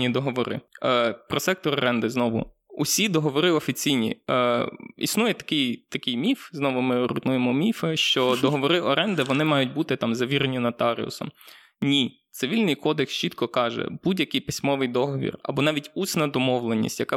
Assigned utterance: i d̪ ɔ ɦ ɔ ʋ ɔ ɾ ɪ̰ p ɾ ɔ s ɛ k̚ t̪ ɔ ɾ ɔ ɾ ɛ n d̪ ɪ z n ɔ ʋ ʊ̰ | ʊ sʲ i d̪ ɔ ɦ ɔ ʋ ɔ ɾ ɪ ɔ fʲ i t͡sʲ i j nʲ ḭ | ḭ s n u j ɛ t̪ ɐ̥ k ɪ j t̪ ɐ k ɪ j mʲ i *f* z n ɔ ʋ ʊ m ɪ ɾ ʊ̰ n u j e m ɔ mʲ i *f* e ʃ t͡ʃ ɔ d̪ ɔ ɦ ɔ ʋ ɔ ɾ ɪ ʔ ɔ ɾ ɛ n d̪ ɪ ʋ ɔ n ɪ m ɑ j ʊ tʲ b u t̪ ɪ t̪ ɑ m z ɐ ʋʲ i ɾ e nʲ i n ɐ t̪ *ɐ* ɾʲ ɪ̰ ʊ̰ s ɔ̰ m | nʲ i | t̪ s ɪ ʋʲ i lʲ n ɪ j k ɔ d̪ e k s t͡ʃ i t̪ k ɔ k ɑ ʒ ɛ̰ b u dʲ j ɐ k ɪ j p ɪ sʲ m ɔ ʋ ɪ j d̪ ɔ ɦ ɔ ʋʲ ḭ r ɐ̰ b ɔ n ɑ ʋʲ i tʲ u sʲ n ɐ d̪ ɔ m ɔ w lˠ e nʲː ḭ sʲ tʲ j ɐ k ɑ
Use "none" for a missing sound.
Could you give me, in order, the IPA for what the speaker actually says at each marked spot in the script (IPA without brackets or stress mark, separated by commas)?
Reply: f, f, ɑ